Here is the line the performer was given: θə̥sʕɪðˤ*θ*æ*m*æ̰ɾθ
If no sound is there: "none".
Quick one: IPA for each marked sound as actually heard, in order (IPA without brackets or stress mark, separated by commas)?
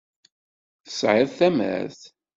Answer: θ, m